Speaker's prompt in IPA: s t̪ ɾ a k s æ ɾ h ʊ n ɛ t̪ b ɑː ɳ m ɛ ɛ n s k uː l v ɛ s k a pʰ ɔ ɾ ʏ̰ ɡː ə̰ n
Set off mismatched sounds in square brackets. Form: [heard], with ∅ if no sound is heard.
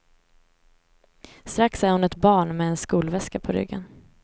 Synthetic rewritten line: s t̪ ɾ a k s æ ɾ h ʊ n ɛ t̪ b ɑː ɳ m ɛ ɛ n s k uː l v ɛ s k a pʰ ɔ ɾ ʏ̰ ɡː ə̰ n